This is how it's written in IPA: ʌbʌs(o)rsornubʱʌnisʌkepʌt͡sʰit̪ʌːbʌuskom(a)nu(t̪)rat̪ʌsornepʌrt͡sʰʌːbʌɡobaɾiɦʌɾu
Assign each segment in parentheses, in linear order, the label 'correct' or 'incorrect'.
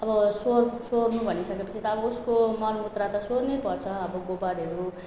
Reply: correct, incorrect: ʌ, correct

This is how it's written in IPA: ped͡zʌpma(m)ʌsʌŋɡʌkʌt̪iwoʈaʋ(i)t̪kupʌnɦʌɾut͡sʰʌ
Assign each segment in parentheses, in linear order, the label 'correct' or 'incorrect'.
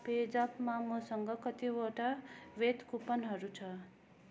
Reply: correct, incorrect: e

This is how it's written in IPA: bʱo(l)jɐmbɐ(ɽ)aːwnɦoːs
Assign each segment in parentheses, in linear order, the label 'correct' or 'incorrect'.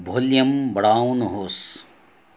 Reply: correct, correct

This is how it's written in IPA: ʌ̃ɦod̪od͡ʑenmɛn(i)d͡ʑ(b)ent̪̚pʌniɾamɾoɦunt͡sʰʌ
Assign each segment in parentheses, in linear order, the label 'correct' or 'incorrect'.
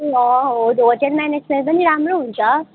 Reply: incorrect: e, incorrect: m

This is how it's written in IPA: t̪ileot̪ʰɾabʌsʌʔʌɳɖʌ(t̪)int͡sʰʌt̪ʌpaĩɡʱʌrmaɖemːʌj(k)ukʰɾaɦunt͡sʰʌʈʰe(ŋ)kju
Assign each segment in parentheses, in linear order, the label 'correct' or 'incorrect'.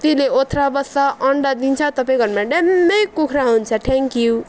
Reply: incorrect: d̪, correct, correct

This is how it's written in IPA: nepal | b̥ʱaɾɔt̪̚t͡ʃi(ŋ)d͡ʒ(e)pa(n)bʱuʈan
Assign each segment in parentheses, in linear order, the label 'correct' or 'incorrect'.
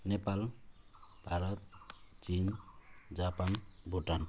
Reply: incorrect: n, incorrect: a, correct

